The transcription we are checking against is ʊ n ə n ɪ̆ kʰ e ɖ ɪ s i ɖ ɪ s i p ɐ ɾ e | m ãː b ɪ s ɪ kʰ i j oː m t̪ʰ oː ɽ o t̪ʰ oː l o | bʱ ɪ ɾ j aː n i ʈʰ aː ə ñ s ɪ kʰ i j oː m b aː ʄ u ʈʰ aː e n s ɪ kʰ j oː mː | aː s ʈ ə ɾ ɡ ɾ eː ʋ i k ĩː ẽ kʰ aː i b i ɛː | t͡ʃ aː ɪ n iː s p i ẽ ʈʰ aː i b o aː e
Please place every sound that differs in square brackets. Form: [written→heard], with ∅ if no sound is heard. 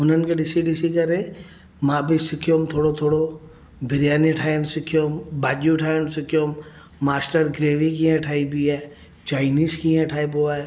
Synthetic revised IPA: ʊ n ə n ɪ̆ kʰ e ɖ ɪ s i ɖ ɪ s i [p→k] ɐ ɾ e | m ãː b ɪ s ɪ kʰ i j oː m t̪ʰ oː ɽ o t̪ʰ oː [l→ɽ] o | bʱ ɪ ɾ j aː n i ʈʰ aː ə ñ s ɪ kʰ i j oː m b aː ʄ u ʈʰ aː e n s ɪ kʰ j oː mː | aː s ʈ ə ɾ ɡ ɾ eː ʋ i k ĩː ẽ [kʰ→ʈʰ] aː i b i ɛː | t͡ʃ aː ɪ n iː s [p→k] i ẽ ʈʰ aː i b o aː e